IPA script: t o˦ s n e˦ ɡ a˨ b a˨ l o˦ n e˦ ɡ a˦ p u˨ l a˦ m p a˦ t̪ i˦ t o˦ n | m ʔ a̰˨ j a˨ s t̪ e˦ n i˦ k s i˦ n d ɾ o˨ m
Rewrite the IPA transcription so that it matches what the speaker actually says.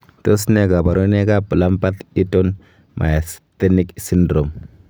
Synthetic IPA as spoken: t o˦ s n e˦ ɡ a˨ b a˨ ɾ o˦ n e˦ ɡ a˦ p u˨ l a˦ m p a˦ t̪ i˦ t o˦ n | m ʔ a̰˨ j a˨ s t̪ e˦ n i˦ k s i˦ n d ɾ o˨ m

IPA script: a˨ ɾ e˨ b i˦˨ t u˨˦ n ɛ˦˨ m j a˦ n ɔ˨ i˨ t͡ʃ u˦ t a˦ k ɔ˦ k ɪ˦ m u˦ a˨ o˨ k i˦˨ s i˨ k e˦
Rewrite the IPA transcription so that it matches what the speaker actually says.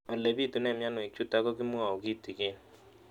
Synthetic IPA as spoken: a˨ l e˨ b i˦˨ t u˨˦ n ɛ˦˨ m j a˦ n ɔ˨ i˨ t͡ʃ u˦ t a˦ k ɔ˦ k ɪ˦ m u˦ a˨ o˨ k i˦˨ t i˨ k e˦

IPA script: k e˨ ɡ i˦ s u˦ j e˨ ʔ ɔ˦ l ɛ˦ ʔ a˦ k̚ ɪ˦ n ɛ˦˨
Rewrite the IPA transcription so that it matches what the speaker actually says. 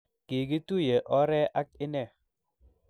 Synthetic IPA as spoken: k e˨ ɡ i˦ t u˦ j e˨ ʔ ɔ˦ ɾ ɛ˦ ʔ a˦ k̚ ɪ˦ n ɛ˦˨

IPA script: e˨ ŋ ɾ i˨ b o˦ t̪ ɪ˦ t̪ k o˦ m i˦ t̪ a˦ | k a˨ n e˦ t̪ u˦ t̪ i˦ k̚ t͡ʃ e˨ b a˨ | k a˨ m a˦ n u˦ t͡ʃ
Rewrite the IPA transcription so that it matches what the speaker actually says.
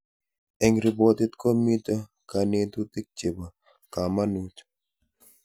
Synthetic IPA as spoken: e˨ ŋ ɾ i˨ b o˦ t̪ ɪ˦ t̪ k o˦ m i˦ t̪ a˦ | k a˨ n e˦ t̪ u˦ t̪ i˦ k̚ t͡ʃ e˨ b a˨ | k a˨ m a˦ n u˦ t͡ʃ

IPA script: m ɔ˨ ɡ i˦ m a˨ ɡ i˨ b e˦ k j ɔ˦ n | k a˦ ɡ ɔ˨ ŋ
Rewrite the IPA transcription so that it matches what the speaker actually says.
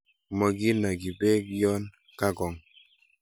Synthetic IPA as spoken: m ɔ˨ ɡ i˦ n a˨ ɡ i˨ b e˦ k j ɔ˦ n | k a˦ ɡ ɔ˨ ŋ

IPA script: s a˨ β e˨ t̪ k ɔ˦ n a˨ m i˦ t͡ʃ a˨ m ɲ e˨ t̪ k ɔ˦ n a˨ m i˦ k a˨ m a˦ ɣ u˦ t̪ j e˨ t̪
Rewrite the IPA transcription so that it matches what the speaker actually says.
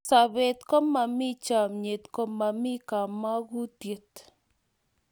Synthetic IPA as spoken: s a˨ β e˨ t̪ k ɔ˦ m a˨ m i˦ t͡ʃ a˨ m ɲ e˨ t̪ k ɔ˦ m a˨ m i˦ k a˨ m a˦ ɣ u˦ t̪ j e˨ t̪

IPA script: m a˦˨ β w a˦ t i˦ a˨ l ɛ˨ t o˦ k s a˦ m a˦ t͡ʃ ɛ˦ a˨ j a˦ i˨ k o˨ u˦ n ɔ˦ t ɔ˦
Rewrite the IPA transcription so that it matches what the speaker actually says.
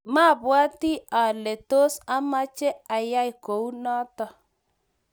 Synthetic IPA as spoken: m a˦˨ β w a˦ t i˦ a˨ l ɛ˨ t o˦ s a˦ m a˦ t͡ʃ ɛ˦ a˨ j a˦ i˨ k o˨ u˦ n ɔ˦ t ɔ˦

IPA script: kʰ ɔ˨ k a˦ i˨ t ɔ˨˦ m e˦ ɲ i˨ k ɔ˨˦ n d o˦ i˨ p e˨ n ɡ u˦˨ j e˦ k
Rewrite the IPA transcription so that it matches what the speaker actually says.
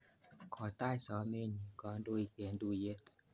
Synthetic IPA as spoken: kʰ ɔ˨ t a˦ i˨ s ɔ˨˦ m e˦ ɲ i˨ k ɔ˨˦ n d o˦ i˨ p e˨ n d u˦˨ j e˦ t

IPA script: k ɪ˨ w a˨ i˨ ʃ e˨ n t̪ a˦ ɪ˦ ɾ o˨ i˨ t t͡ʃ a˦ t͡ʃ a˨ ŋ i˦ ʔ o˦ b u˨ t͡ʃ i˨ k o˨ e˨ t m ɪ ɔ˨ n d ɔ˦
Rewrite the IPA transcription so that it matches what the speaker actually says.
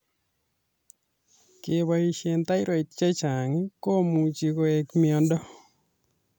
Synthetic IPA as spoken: k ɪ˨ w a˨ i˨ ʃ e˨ n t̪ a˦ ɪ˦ ɾ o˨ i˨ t t͡ʃ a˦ t͡ʃ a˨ ŋ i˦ k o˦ m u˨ t͡ʃ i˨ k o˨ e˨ k m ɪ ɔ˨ n d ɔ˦

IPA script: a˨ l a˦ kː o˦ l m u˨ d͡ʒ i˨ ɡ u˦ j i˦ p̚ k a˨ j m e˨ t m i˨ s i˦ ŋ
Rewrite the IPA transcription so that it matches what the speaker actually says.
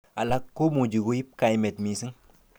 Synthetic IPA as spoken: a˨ l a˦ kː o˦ m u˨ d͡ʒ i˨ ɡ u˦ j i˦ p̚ k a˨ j m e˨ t m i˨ s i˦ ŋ

